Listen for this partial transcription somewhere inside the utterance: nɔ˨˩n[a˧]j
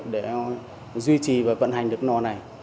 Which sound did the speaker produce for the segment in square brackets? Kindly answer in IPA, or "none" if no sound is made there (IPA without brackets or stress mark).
a˨˩